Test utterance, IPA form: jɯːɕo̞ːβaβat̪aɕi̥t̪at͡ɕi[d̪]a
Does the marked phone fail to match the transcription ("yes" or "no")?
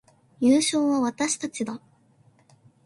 no